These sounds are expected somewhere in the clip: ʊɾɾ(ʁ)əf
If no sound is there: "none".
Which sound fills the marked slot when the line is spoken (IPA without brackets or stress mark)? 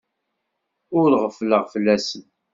ʁ